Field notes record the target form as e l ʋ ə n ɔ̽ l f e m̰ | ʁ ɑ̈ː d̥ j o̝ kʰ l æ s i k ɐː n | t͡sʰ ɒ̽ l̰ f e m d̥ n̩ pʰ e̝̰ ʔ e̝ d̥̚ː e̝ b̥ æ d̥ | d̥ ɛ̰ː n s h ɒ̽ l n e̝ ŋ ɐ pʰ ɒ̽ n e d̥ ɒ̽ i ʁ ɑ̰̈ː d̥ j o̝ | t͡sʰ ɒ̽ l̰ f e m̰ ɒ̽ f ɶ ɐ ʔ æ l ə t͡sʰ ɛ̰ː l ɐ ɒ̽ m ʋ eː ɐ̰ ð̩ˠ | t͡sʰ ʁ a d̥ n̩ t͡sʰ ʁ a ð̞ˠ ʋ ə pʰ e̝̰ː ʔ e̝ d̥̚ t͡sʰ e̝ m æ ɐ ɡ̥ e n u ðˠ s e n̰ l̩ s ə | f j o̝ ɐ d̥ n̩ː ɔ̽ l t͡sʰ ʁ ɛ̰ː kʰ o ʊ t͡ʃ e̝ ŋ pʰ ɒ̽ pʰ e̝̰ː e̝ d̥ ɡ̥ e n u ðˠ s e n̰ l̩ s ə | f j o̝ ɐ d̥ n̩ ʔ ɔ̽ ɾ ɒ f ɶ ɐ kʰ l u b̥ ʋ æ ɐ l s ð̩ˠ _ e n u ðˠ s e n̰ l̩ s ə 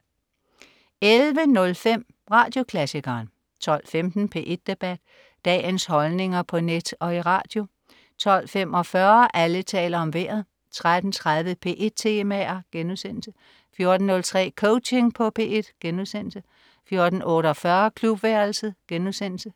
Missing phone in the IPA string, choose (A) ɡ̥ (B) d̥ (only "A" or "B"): A